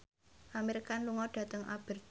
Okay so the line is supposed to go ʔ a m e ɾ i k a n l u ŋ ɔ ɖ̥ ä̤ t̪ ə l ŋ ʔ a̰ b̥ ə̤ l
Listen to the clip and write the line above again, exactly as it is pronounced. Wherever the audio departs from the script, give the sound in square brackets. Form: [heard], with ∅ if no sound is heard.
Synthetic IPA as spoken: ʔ a m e ɾ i k a n l u ŋ ɔ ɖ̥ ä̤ t̪ ə [∅] ŋ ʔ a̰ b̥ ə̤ [r]